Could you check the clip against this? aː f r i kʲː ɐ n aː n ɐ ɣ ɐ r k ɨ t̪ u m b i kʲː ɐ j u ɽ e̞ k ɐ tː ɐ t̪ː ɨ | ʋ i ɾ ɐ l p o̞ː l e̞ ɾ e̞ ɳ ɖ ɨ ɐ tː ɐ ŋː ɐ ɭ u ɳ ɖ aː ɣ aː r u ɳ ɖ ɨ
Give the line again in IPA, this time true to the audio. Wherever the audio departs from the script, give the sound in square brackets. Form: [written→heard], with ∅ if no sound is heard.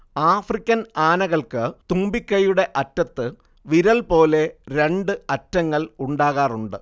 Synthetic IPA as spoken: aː f r i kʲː ɐ n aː n ɐ ɣ ɐ [r→ɭ] k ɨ t̪ u m b i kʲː ɐ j u ɽ e̞ [k→ʔ] ɐ tː ɐ t̪ː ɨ | ʋ i ɾ ɐ l p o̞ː l e̞ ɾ e̞ ɳ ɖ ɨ ɐ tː ɐ ŋː ɐ ɭ u ɳ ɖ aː ɣ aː r u ɳ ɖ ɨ